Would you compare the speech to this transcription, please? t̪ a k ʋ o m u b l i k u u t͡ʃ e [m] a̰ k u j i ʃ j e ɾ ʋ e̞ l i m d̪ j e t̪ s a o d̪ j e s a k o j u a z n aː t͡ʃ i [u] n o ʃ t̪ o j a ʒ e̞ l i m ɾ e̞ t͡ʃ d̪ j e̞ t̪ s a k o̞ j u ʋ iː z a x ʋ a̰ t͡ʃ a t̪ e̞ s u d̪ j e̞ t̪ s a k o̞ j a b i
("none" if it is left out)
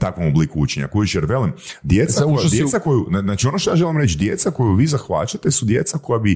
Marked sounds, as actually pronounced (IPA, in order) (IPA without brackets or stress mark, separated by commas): ɲ, o